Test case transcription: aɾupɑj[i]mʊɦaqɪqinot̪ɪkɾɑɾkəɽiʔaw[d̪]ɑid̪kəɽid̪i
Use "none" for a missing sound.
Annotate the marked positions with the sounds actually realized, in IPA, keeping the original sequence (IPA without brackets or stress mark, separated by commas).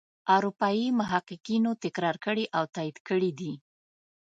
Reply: i, t̪